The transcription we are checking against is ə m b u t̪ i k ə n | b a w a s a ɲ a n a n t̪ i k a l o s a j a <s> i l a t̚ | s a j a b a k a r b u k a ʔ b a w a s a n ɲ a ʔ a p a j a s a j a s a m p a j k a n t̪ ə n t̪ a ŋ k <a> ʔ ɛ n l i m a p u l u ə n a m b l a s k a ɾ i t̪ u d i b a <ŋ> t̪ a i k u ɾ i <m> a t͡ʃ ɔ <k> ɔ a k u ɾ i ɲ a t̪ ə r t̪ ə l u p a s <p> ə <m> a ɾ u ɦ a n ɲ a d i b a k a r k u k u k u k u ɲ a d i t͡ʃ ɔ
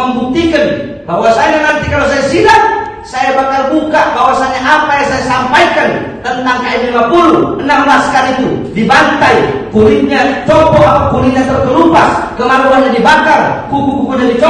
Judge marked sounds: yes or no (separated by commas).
yes, yes, no, no, no, no, yes